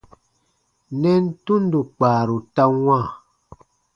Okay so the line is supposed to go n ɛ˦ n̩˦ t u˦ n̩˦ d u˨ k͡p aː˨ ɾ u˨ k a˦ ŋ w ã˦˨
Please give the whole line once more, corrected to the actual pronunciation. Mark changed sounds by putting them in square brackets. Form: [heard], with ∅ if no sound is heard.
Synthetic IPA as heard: n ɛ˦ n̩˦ t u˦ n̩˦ d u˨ k͡p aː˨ ɾ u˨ [t] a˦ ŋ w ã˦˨